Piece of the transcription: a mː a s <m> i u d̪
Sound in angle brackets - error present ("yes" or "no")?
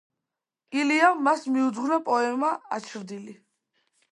no